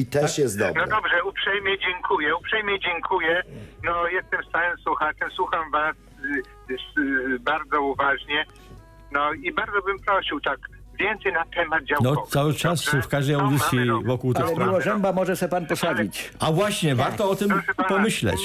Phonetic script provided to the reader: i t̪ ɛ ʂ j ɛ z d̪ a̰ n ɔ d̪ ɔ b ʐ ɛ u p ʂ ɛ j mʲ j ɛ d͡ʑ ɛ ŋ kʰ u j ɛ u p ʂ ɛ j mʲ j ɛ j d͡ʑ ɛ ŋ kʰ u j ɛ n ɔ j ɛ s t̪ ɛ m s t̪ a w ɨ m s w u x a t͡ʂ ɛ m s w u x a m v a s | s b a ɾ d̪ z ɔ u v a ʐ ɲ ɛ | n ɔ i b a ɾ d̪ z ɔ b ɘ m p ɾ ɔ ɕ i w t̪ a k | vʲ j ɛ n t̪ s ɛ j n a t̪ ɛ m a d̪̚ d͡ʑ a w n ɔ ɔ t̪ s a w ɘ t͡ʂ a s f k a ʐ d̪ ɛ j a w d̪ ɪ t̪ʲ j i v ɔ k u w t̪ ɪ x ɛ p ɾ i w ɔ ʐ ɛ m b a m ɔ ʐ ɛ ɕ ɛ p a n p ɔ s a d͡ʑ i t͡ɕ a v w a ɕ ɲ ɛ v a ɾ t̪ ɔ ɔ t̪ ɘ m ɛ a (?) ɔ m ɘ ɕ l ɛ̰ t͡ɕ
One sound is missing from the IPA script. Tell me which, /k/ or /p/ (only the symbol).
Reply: p